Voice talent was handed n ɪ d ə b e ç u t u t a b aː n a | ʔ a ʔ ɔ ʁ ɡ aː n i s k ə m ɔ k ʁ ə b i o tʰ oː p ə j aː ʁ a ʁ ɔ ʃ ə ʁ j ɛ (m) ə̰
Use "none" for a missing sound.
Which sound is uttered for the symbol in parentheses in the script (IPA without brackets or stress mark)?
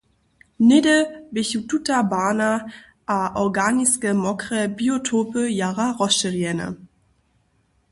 n